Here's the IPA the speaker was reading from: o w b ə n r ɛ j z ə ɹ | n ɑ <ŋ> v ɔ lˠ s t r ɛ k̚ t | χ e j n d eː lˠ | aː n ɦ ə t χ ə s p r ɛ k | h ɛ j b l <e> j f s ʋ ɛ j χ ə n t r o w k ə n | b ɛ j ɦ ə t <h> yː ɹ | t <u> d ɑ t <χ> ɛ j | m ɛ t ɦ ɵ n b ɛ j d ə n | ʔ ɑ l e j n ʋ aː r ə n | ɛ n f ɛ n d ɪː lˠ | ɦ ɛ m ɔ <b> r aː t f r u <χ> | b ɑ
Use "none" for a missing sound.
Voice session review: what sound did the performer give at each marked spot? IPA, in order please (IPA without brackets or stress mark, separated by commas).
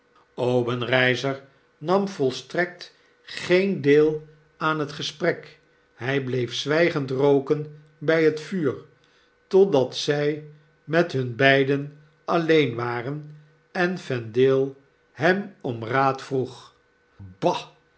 m, e, f, ɔ, s, m, χ